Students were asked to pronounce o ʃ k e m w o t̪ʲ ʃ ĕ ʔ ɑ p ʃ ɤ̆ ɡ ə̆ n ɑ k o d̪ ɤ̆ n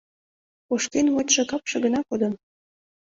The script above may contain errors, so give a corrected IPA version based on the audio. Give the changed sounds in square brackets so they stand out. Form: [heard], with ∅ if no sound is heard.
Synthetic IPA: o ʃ k e [n] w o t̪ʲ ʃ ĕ [k] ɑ p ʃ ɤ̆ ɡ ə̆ n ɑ k o d̪ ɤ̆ n